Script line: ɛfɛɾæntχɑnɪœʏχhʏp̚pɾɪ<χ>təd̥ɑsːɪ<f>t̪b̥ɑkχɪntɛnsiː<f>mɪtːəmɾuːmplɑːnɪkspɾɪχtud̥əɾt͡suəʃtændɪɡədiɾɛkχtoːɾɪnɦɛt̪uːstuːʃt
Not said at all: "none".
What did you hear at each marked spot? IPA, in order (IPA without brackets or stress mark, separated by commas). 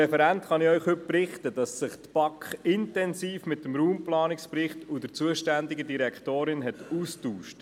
χ, χ, f